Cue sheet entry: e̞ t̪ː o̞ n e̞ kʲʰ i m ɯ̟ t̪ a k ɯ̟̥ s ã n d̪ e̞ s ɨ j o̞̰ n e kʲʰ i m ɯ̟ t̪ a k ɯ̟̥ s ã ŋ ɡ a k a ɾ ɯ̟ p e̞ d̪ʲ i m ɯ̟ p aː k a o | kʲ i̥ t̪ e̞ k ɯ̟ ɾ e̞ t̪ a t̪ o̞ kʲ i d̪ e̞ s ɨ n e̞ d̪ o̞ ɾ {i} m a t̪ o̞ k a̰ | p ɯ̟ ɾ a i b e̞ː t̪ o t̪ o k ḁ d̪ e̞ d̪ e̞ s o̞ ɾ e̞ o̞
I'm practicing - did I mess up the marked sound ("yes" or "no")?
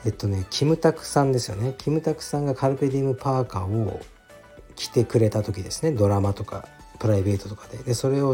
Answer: yes